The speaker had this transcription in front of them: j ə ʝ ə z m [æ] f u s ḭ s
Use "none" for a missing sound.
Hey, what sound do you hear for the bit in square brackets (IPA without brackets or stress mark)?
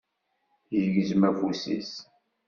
æ